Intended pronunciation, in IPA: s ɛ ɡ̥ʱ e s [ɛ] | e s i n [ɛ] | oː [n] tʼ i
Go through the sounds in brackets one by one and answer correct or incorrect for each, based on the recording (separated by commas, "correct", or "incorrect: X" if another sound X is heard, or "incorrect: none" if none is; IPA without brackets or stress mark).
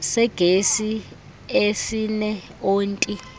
incorrect: i, correct, correct